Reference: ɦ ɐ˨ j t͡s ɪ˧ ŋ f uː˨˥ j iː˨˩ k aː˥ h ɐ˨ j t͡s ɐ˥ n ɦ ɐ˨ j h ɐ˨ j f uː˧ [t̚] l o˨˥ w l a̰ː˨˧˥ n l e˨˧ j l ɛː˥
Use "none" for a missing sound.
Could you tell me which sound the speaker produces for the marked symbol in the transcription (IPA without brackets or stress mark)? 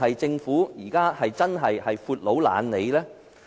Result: t̚